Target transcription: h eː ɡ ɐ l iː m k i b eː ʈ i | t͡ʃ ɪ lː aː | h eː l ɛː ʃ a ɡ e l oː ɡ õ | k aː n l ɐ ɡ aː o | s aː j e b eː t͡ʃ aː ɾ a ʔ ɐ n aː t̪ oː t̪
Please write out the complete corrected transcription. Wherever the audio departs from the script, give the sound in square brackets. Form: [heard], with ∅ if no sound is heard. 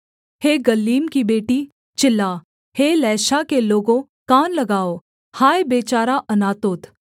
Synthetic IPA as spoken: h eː ɡ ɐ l iː m k i b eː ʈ i | t͡ʃ ɪ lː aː | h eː l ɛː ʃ a [k] e l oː ɡ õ | k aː n l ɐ ɡ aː o | [h] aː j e b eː t͡ʃ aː ɾ a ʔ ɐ n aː t̪ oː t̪